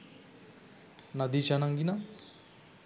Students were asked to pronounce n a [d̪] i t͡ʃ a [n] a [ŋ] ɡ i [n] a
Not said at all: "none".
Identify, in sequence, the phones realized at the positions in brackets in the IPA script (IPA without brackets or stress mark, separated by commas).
d̪, n, ŋ, n